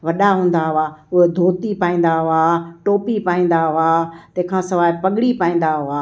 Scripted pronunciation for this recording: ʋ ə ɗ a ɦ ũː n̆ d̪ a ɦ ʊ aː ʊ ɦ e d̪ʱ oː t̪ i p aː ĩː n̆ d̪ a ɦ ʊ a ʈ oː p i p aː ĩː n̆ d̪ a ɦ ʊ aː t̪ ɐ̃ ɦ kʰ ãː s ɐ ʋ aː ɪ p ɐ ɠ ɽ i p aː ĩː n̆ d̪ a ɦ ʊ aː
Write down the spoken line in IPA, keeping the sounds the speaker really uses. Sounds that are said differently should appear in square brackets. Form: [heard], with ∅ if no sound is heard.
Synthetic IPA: ʋ [ɐ] ɗ a ɦ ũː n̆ d̪ a ɦ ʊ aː ʊ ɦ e d̪ʱ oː t̪ i p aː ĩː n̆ d̪ a ɦ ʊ a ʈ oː p i p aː ĩː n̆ d̪ a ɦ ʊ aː t̪ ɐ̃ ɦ kʰ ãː s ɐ ʋ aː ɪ p ɐ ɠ ɽ i p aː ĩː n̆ d̪ a ɦ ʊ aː